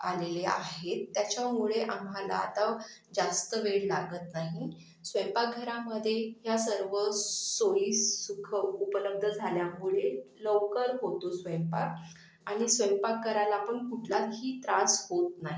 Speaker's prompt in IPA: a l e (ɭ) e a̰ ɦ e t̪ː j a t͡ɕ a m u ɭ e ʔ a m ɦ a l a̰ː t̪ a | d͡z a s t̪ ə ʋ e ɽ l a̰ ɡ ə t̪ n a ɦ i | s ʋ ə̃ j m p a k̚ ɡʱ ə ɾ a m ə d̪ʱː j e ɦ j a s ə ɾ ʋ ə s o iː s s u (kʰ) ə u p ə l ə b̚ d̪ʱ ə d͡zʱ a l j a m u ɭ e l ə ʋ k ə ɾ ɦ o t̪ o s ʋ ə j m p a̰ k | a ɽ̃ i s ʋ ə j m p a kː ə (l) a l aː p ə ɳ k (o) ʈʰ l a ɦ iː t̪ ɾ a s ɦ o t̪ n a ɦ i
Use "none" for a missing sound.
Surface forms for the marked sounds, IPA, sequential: l, kʰ, ɾ, u

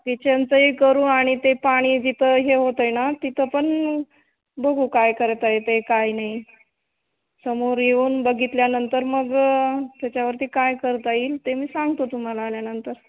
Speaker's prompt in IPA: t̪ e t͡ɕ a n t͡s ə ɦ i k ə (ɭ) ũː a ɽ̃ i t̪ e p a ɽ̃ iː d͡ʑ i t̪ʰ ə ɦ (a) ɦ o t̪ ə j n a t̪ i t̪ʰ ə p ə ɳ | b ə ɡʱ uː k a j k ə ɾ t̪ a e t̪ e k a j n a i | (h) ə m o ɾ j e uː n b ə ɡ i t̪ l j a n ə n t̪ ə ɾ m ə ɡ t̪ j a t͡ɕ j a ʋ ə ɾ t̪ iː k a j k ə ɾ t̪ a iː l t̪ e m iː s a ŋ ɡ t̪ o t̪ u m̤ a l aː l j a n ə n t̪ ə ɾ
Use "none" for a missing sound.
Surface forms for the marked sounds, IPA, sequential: ɾ, e, s

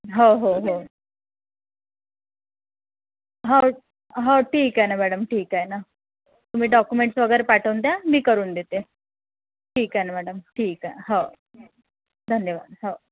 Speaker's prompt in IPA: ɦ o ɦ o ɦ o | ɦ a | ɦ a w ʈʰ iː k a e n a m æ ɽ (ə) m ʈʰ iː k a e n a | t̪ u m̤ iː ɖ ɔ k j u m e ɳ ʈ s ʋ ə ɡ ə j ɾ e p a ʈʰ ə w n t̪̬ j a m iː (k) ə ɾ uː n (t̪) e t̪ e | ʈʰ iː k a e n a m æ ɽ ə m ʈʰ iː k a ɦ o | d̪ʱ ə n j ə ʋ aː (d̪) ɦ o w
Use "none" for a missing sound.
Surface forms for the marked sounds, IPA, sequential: ə, k, d̪, d̪

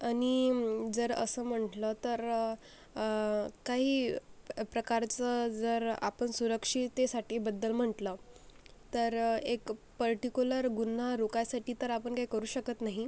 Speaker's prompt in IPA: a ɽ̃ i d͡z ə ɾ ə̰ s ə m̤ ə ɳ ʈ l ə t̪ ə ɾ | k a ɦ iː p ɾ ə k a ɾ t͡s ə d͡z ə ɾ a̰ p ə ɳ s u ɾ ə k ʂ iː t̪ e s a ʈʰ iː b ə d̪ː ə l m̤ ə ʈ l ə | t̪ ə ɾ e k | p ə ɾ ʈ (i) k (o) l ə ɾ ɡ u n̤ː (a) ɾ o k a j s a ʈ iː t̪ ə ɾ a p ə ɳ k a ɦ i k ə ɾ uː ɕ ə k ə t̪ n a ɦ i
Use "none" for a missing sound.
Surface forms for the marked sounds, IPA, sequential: i, u, a

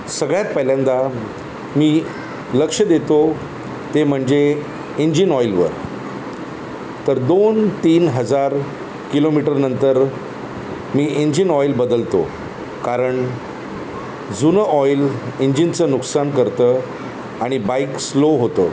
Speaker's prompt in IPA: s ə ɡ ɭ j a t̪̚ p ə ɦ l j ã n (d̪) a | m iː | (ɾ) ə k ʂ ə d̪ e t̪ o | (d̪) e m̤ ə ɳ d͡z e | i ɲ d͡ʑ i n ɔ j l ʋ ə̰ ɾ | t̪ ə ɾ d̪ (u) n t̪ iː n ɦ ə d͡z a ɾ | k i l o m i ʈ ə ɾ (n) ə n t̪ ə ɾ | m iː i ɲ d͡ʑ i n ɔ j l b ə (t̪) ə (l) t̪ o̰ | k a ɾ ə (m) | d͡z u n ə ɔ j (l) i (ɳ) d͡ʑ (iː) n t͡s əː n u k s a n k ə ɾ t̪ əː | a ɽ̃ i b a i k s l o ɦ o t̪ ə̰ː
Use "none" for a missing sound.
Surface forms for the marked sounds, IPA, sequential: d̪, l, t̪, o, n, d̪, l, ɳ, l, ɲ, i

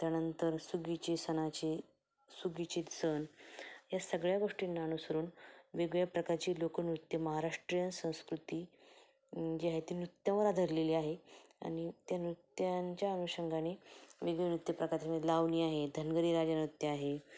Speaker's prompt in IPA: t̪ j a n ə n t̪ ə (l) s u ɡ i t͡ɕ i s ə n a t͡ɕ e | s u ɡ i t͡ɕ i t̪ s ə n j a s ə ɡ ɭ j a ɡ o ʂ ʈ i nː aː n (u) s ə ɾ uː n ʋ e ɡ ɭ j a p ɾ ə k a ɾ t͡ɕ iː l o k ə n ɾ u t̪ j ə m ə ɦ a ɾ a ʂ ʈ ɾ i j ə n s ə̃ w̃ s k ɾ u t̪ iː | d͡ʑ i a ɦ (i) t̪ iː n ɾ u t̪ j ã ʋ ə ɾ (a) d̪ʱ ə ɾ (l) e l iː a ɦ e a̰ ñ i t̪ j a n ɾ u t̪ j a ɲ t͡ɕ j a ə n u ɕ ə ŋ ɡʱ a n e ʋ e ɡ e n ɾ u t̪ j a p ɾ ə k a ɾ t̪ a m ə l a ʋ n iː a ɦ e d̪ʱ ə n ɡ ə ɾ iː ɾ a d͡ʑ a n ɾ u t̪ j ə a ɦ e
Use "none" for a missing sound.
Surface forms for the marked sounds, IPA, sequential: ɾ, u, e, a, l

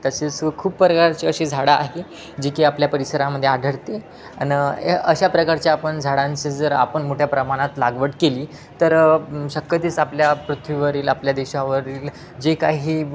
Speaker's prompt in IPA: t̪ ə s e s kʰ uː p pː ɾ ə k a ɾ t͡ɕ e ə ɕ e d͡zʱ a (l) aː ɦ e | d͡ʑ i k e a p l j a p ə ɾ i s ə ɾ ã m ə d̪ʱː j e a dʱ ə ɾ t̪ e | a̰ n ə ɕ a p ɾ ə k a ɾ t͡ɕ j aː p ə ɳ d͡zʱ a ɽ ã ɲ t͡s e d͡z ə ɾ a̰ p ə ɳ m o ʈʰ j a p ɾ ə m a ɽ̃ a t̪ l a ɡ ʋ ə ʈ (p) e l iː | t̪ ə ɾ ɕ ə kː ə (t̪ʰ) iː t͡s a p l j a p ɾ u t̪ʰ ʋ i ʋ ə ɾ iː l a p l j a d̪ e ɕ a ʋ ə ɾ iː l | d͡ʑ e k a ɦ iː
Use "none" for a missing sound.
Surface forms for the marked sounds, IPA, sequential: ɽ, k, t̪

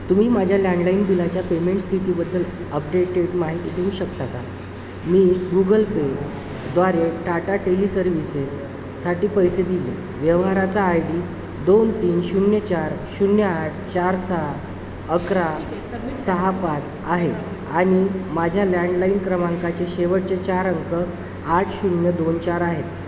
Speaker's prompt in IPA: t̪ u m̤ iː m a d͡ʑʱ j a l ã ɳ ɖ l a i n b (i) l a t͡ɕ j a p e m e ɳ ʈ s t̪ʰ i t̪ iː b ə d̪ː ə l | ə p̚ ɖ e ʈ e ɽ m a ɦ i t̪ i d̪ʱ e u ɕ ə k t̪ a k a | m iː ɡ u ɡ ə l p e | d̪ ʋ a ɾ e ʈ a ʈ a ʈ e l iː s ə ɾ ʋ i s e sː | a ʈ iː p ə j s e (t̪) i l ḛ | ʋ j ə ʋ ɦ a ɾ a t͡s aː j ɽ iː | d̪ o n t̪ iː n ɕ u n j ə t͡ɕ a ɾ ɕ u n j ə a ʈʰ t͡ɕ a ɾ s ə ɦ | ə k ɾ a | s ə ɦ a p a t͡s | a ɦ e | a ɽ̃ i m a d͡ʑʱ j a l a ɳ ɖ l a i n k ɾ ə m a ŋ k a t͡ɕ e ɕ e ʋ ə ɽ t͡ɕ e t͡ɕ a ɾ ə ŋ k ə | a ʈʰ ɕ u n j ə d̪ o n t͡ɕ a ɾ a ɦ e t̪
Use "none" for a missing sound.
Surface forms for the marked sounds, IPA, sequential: i, d̪

